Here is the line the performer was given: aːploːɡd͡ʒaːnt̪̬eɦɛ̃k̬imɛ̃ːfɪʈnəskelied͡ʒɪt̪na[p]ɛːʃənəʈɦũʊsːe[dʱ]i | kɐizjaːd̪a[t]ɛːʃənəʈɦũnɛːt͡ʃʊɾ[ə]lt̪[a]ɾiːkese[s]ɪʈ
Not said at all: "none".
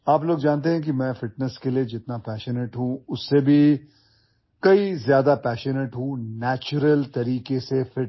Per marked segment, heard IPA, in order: p, bʱ, p, ə, ɐ, f

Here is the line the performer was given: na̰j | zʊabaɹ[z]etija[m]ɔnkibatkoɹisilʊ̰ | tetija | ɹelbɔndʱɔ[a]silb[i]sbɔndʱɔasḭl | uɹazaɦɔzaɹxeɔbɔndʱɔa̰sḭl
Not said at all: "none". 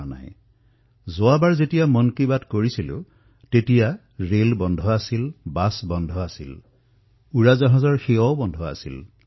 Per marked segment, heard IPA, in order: z, m, a, a

